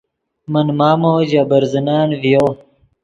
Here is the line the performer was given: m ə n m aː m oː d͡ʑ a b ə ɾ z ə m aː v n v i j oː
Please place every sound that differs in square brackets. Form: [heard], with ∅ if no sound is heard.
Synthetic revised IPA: m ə n m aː m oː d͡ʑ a b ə ɾ z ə [n] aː [∅] n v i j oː